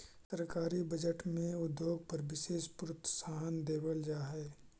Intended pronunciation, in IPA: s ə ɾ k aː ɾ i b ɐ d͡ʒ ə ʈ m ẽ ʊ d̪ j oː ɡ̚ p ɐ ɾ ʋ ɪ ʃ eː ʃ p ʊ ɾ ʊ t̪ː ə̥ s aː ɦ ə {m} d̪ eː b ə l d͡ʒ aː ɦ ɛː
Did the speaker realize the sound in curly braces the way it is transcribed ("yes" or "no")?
no